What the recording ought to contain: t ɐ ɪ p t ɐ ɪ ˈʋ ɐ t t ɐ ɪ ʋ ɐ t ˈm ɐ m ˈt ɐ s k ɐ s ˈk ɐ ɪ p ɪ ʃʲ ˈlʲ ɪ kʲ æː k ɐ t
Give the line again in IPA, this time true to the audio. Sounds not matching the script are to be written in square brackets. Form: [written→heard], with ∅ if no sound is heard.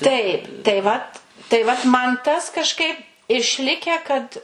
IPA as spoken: t ɐ ɪ p t ɐ ɪ ˈʋ ɐ t t ɐ ɪ ʋ ɐ t ˈm ɐ [m→n] ˈt ɐ s k ɐ [s→ʃ] ˈk ɐ ɪ p ɪ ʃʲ ˈlʲ ɪ kʲ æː k ɐ t